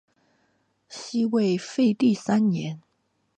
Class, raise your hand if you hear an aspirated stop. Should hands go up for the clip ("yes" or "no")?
no